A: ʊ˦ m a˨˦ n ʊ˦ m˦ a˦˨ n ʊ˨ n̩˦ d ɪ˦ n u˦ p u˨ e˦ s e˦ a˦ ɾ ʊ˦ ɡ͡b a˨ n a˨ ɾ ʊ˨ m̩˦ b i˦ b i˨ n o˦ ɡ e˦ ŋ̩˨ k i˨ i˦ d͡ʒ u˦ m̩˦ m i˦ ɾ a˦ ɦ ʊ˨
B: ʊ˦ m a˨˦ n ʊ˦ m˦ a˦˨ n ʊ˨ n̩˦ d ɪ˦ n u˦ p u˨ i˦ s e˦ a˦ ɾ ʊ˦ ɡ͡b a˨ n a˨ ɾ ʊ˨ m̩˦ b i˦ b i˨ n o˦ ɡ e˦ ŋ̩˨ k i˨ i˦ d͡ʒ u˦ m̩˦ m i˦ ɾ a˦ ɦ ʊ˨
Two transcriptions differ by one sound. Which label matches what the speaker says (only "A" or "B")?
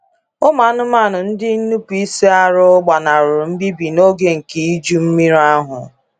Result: B